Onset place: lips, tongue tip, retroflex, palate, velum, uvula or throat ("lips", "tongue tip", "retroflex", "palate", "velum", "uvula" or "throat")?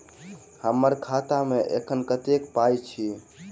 throat